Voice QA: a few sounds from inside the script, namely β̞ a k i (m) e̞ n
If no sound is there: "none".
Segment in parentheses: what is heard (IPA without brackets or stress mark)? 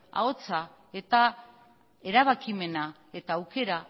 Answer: m